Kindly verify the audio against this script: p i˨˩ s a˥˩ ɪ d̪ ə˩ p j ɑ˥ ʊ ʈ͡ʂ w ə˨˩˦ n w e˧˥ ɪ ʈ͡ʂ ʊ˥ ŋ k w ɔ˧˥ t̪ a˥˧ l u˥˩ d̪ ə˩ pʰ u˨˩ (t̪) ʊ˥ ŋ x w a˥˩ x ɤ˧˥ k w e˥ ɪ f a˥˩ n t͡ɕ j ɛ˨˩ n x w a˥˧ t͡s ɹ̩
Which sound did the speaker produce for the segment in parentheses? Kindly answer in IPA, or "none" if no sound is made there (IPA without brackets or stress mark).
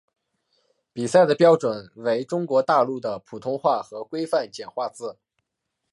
t̪ʰ